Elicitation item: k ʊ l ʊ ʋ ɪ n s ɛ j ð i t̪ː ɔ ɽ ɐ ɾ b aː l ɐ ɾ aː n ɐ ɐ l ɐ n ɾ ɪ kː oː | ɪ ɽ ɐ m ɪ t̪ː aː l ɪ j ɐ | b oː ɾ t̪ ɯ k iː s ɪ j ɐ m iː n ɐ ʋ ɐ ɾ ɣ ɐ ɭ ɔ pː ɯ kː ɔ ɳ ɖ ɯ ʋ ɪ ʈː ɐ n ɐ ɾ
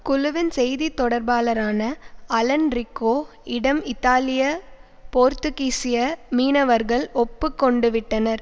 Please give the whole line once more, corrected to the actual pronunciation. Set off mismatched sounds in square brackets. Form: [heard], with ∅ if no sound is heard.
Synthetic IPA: k ʊ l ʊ ʋ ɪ n s ɛ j ð i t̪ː ɔ ɽ ɐ ɾ b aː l ɐ ɾ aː n ɐ ɐ l ɐ n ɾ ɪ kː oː | ɪ ɽ ɐ m ɪ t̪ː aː l ɪ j ɐ | [p] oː ɾ t̪ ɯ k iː s ɪ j ɐ m iː n ɐ ʋ ɐ ɾ ɣ ɐ ɭ ɔ pː ɯ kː ɔ ɳ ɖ ɯ ʋ ɪ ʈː ɐ n ɐ ɾ

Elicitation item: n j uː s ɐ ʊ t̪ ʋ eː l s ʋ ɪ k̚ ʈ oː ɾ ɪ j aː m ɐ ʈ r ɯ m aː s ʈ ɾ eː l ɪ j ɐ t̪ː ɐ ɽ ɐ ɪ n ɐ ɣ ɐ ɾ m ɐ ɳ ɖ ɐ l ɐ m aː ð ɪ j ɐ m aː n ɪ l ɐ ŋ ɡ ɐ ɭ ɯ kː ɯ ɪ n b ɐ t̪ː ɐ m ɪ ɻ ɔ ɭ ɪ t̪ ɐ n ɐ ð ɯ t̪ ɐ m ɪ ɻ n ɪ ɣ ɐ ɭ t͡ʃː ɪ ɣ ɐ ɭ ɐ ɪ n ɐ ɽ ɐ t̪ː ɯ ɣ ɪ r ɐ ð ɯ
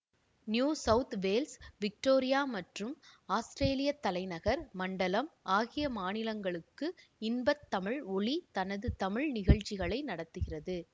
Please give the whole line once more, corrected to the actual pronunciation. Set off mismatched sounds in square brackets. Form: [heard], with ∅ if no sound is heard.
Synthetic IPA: n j uː s ɐ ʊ t̪ ʋ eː l s ʋ ɪ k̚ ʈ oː ɾ ɪ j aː m ɐ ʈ r ɯ m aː s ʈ ɾ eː l ɪ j ɐ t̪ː ɐ [l] ɐ ɪ n ɐ ɣ ɐ ɾ m ɐ ɳ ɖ ɐ l ɐ m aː [ɣ] ɪ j ɐ m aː n ɪ l ɐ ŋ ɡ ɐ ɭ ɯ kː ɯ ɪ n b ɐ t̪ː ɐ m ɪ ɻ ɔ ɭ [i] t̪ ɐ n ɐ ð ɯ t̪ ɐ m ɪ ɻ n ɪ ɣ ɐ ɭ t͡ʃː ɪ ɣ ɐ ɭ ɐ ɪ n ɐ ɽ ɐ t̪ː ɯ ɣ ɪ r ɐ ð ɯ

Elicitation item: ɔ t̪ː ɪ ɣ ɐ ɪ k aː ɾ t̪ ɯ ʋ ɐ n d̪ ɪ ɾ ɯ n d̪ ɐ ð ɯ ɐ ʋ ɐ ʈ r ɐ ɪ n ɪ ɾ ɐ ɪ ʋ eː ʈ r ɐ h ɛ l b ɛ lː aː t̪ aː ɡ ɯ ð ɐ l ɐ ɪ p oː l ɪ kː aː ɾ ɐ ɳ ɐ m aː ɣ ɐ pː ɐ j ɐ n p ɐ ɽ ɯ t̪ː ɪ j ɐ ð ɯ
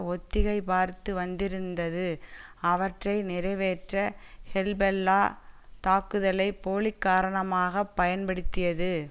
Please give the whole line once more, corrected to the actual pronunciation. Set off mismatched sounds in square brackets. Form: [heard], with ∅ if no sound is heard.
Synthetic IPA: ɔ t̪ː ɪ ɣ ɐ ɪ [p] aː ɾ t̪ ɯ ʋ ɐ n d̪ ɪ ɾ ɯ n d̪ ɐ ð ɯ ɐ ʋ ɐ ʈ r ɐ ɪ n ɪ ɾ ɐ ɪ ʋ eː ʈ r ɐ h ɛ l b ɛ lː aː t̪ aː [k] ɯ ð ɐ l ɐ ɪ p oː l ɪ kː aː ɾ ɐ ɳ ɐ m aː ɣ ɐ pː ɐ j ɐ n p ɐ ɽ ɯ t̪ː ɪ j ɐ ð ɯ

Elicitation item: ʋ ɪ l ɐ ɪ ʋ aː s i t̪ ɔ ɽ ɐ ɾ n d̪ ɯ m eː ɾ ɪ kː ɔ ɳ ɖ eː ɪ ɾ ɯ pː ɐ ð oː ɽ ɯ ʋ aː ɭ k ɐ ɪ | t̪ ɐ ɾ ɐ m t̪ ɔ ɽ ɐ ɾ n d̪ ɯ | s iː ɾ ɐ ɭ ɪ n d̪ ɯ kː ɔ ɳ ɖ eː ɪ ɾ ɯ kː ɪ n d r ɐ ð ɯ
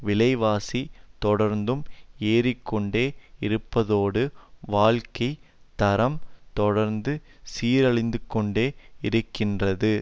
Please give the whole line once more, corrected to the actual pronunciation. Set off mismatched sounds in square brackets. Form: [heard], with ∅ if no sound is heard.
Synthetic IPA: ʋ ɪ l ɐ ɪ ʋ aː s i t̪ ɔ ɽ ɐ ɾ n d̪ ɯ m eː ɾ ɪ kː ɔ ɳ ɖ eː ɪ ɾ ɯ pː ɐ ð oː ɽ ɯ ʋ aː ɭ k ɐ ɪ | t̪ ɐ ɾ ɐ m t̪ ɔ ɽ ɐ ɾ n d̪ ɯ | s iː ɾ ɐ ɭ ɪ n d̪ ɯ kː ɔ ɳ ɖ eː ɪ ɾ ɯ kː ɪ n d r ɐ ð ɯ

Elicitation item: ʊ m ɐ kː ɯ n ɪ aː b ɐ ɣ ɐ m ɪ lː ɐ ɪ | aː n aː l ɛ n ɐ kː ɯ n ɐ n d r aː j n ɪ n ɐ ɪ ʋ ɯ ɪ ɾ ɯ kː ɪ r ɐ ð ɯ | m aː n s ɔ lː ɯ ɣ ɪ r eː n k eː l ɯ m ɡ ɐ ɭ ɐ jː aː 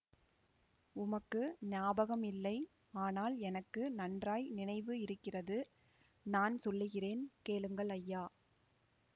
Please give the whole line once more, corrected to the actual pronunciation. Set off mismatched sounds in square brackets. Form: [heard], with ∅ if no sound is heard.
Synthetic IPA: ʊ m ɐ kː ɯ n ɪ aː b ɐ ɣ ɐ m ɪ lː ɐ ɪ | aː n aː l ɛ n ɐ kː ɯ n ɐ n d r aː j n ɪ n ɐ ɪ ʋ ɯ ɪ ɾ ɯ kː ɪ r ɐ ð ɯ | [n] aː n s ɔ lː ɯ ɣ ɪ r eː n k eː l ɯ [ŋ] ɡ ɐ ɭ ɐ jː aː

